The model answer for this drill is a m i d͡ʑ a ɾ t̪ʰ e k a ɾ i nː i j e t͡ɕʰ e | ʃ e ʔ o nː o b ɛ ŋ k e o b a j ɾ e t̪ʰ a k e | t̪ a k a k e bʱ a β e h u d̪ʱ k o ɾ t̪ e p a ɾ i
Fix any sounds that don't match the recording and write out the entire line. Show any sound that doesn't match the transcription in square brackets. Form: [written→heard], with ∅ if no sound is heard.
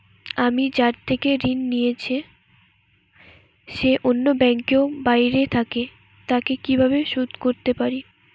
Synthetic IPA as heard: a m i d͡ʑ a ɾ t̪ʰ e k [a→e] ɾ i nː i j e t͡ɕʰ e | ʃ e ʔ o nː o b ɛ ŋ k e o b a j ɾ e t̪ʰ a k e | t̪ a k [a→e] k [e→i] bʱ a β e [h→ʃ] u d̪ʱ k o ɾ t̪ e p a ɾ i

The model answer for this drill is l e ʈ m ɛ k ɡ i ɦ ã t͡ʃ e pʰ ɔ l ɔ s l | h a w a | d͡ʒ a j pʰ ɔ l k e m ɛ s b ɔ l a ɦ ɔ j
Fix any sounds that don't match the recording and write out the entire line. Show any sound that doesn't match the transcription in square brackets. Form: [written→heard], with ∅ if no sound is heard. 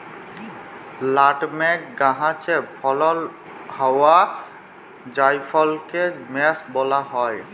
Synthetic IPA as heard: l [e→a] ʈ m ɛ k ɡ [i→a] ɦ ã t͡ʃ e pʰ ɔ l ɔ [s→∅] l | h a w a | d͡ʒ a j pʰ ɔ l k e m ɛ s b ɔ l a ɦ ɔ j

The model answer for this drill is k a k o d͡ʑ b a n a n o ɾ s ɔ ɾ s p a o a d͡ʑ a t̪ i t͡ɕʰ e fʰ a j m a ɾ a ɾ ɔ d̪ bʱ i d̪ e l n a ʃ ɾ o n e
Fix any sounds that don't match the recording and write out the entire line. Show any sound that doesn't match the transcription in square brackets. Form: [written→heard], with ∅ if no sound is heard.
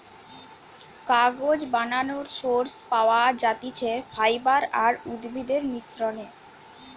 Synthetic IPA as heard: k a [k→ɡ] o d͡ʑ b a n a n o ɾ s [ɔ→o] ɾ s p a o a d͡ʑ a t̪ i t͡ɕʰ e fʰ a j [m→b] a ɾ a ɾ [ɔ→u] d̪ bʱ i d̪ e [l→ɾ] n [a→i] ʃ ɾ o n e

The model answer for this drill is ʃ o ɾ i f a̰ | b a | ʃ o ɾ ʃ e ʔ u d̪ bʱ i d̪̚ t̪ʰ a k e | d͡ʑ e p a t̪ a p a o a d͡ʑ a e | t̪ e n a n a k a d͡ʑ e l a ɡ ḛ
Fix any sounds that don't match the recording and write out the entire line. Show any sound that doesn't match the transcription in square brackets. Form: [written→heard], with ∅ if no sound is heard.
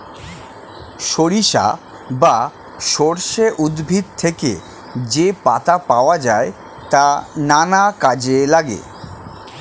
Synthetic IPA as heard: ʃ o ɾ i [f→ʃ] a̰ | b a | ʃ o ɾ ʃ e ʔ u d̪ bʱ i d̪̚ t̪ʰ [a→e] k e | d͡ʑ e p a t̪ a p a o a d͡ʑ a e | t̪ [e→a] n a n a k a d͡ʑ e l a ɡ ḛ

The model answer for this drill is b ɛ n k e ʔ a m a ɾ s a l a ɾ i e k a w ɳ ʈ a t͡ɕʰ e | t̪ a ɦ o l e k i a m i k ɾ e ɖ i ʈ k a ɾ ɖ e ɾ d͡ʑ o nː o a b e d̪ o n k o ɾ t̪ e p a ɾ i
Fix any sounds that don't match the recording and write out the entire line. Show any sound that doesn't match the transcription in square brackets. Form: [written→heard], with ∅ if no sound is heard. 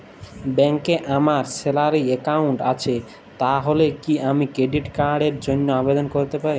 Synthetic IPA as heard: b ɛ [n→ŋ] k e ʔ a m a ɾ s [a→e] l a ɾ i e k a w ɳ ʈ a t͡ɕʰ e | t̪ a ɦ o l e k i a m i k ɾ e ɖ i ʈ k a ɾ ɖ e ɾ d͡ʑ o nː o a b e d̪ o n k o ɾ t̪ e p a ɾ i

